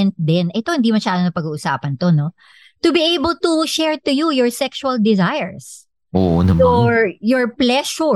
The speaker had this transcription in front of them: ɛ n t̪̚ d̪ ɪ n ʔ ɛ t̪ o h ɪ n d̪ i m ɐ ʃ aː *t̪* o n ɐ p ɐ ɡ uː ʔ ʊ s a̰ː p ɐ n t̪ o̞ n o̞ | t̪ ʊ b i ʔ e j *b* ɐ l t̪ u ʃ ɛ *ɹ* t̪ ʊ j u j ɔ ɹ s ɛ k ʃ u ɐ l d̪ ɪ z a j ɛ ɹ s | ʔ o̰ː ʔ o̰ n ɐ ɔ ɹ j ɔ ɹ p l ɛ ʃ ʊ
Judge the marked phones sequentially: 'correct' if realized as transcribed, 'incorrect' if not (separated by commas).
incorrect, correct, correct